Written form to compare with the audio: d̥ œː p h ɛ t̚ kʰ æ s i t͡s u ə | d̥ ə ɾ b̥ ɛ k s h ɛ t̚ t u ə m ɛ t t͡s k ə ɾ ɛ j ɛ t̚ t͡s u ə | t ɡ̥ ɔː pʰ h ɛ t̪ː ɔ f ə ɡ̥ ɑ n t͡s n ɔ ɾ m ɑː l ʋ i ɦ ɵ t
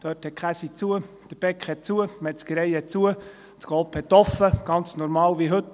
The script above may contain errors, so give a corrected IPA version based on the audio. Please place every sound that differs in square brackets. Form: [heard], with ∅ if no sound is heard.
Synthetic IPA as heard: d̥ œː [t] h ɛ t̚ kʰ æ s i t͡s u ə | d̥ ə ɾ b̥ ɛ k [χ] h ɛ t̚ [t͡s] u ə m ɛ t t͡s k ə ɾ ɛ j ɛ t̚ t͡s u ə | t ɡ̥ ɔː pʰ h ɛ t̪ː ɔ f ə ɡ̥ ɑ n t͡s n ɔ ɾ m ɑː l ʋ i ɦ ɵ t